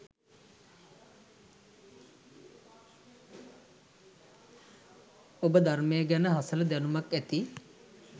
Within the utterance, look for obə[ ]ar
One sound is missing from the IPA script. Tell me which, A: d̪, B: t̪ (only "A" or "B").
A